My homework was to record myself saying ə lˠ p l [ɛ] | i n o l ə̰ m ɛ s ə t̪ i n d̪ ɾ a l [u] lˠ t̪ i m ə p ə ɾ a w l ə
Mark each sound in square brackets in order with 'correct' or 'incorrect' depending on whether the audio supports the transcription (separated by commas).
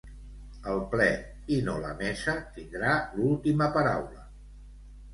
correct, correct